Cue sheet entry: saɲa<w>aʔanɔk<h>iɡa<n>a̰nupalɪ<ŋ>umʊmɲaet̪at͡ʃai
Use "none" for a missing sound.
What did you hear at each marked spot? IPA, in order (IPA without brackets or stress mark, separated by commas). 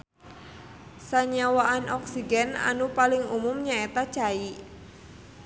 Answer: w, s, n, ŋ